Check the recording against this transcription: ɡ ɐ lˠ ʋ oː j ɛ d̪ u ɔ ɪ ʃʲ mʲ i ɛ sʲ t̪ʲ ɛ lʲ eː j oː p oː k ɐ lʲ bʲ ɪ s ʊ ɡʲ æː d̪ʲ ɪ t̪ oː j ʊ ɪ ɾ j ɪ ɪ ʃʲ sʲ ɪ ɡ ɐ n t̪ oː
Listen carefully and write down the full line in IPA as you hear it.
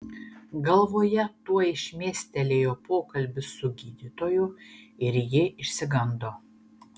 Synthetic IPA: ɡ ɐ lˠ ʋ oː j ɛ t̪ u ɔ ɪ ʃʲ mʲ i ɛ sʲ t̪ʲ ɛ lʲ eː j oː p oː k ɐ lʲ bʲ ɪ s ʊ ɡʲ iː d̪ʲ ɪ t̪ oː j ʊ ɪ ɾ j ɪ ɪ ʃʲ sʲ ɪ ɡ ɐ n d̪ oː